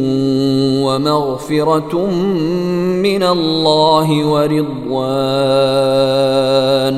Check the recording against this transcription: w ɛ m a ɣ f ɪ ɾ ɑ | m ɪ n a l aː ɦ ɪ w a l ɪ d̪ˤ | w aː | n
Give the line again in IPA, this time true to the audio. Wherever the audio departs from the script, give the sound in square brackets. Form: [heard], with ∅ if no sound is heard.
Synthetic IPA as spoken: w [a] m a ɣ f ɪ ɾ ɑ | m ɪ n a [lː] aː ɦ ɪ w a [ɾ] ɪ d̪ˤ | w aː | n